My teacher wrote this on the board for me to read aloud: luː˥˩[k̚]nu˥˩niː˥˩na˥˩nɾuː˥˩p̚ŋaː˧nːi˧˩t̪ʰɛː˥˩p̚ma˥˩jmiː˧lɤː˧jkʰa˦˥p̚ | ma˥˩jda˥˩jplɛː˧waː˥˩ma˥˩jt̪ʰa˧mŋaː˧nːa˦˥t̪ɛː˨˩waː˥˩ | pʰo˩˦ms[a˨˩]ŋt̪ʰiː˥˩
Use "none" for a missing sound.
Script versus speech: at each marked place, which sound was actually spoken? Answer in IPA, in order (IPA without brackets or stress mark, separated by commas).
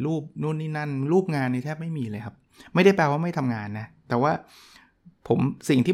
p̚, i˨˩